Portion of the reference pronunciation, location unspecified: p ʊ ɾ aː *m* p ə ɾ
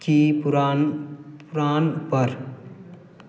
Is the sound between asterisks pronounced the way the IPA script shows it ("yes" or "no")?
no